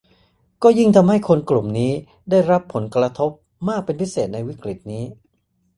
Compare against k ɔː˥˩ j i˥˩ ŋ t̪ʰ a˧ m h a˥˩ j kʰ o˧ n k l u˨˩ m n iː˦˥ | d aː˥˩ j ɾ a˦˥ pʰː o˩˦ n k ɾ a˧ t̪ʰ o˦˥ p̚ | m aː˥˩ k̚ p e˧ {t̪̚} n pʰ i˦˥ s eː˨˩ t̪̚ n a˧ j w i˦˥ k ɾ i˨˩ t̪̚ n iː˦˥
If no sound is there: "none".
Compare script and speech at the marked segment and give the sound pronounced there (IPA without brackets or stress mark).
none